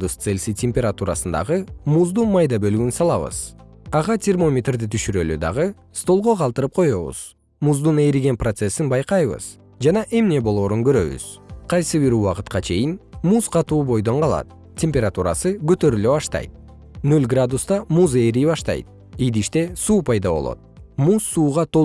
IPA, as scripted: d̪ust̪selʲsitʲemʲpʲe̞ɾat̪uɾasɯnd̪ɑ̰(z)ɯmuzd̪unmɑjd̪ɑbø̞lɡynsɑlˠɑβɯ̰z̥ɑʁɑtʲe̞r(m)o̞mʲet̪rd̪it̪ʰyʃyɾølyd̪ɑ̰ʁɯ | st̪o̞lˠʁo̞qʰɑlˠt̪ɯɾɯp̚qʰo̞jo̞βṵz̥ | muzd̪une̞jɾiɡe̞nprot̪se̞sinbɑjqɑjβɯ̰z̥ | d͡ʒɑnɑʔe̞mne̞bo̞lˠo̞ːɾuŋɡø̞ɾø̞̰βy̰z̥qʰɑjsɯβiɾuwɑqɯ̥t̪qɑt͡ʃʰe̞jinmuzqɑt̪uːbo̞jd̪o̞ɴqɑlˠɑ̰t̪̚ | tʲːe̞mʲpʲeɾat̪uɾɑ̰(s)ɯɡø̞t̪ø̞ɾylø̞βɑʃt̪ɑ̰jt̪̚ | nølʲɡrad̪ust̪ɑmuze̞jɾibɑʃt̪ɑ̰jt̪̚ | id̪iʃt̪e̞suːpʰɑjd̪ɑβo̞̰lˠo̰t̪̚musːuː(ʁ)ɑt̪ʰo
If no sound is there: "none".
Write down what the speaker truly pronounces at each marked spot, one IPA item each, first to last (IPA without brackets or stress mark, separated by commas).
ʁ, m, s, ʁ